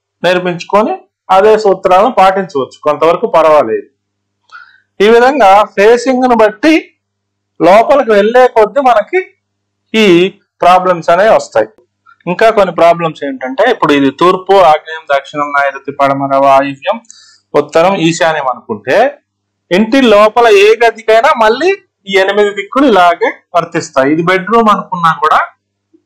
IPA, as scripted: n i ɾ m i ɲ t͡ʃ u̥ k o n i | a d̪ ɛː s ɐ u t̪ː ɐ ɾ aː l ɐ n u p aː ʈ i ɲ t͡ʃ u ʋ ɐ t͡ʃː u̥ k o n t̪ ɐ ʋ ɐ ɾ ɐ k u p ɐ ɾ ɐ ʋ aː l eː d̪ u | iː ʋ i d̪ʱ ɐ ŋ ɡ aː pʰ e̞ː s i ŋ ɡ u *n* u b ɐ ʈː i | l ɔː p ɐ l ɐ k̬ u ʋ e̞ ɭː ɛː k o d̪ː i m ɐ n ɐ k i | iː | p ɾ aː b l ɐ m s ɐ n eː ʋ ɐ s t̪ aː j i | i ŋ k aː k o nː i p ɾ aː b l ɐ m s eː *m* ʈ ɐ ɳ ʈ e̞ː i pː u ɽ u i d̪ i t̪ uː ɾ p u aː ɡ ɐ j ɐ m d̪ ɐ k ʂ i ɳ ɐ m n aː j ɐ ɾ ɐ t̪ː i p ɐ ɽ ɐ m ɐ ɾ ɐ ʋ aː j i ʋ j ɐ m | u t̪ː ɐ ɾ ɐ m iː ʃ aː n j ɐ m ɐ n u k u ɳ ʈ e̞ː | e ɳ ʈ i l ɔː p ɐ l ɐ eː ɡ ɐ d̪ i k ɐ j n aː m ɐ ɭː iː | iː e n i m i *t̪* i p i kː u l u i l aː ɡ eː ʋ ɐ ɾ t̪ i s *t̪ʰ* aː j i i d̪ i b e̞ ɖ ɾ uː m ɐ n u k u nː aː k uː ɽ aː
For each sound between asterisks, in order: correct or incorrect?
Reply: correct, incorrect, incorrect, incorrect

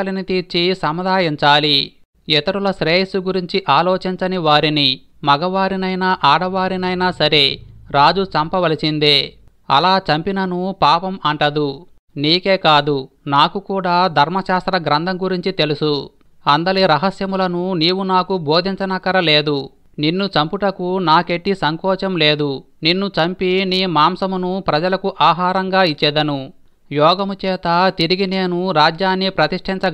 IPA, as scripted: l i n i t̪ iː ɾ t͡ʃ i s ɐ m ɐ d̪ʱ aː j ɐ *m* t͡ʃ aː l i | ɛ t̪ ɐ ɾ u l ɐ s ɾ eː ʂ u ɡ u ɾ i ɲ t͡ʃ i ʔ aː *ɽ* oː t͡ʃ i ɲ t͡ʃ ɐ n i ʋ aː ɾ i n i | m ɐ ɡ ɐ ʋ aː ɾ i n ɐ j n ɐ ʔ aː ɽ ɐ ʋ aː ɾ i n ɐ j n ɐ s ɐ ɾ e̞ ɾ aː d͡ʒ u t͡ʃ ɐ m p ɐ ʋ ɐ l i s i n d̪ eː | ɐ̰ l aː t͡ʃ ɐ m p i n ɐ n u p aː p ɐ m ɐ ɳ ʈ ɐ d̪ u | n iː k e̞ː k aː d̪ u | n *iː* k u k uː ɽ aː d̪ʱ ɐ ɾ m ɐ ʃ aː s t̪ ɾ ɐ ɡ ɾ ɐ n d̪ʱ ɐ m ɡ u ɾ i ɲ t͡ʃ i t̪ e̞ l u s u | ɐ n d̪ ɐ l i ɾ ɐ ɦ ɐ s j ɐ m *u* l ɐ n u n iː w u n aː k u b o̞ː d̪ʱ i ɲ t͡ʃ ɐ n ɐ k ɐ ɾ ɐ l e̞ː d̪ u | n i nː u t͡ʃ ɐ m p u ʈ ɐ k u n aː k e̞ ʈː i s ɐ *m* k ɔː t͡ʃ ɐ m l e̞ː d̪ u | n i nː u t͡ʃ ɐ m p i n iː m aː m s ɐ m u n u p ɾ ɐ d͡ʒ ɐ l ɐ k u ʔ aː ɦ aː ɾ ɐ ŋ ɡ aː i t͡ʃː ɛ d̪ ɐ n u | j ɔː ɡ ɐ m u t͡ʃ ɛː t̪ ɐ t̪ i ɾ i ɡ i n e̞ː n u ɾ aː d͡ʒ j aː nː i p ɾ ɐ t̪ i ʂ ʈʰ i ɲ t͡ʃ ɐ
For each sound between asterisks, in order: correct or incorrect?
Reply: incorrect, incorrect, incorrect, correct, incorrect

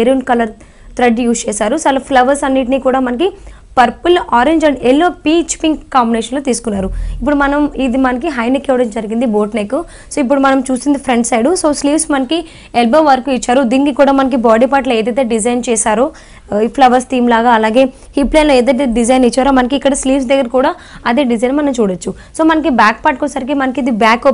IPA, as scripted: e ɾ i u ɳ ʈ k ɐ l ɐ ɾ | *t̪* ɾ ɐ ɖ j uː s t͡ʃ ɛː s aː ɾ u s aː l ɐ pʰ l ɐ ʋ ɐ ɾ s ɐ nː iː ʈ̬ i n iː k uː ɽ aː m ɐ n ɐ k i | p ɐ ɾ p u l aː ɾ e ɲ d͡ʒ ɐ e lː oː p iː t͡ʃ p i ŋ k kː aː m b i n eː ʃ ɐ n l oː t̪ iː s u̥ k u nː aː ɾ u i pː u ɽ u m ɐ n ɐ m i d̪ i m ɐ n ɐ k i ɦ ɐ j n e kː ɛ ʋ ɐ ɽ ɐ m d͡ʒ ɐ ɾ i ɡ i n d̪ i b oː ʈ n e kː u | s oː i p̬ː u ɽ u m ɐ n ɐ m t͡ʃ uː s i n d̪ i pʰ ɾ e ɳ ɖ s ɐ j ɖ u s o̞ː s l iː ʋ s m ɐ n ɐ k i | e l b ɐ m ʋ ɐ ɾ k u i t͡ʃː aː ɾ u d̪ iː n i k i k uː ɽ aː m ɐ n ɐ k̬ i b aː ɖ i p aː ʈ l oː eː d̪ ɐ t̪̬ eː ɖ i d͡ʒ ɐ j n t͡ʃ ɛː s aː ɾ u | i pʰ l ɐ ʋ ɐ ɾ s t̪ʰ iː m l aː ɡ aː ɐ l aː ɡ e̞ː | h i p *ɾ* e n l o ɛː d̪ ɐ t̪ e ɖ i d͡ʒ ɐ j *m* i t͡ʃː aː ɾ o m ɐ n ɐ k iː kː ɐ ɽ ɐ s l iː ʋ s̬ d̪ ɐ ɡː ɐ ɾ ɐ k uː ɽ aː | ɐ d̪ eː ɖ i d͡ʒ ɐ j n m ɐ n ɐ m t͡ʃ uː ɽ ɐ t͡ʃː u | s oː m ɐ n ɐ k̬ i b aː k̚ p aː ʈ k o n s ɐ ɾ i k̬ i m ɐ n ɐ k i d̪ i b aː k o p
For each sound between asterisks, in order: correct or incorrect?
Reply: correct, incorrect, incorrect

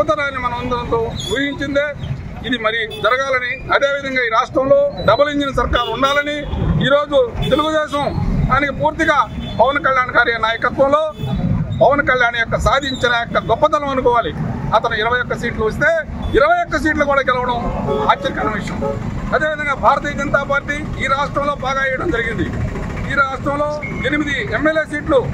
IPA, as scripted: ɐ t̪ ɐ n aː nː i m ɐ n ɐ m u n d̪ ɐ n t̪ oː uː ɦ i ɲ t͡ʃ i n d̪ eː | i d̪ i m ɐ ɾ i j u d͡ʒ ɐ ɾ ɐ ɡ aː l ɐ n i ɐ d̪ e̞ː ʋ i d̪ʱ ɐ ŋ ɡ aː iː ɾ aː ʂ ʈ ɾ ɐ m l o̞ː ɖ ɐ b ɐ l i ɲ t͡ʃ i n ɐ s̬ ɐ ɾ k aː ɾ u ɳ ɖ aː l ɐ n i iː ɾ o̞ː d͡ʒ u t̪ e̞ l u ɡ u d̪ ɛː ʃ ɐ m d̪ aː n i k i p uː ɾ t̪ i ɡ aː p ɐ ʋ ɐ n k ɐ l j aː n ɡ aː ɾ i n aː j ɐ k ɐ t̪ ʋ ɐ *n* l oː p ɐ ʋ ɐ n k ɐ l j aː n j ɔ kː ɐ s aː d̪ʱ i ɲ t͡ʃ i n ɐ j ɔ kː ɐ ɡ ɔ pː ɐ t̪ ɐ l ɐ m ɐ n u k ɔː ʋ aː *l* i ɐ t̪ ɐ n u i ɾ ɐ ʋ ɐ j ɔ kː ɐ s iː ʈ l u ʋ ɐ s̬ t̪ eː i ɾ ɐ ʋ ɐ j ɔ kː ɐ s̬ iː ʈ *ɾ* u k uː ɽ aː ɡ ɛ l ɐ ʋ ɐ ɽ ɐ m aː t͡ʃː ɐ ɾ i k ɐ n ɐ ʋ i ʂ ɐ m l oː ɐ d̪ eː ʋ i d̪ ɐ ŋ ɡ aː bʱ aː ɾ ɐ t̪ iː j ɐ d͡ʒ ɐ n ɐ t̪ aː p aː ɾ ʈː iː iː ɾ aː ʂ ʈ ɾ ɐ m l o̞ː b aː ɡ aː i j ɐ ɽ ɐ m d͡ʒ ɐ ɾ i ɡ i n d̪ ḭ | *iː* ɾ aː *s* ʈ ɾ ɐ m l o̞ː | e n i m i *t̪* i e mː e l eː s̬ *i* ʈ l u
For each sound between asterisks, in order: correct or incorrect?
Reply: incorrect, correct, incorrect, correct, incorrect, incorrect, incorrect

